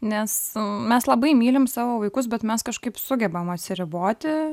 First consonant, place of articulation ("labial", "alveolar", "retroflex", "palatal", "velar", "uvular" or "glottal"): alveolar